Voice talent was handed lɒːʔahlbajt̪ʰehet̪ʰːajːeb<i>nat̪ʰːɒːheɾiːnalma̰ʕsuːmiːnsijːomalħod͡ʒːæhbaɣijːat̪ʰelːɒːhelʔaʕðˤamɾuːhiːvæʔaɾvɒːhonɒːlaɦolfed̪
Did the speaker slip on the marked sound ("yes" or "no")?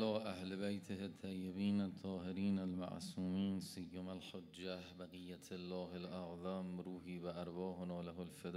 yes